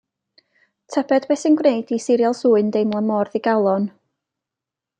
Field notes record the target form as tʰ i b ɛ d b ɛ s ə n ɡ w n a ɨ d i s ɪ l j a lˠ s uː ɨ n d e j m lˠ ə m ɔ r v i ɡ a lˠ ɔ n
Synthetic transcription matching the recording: tʰ ɛ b ɛ d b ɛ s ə n ɡ w n e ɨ d i s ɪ ɾ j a lˠ s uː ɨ n d e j m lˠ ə m ɔ r ð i ɡ a lˠ ɔ n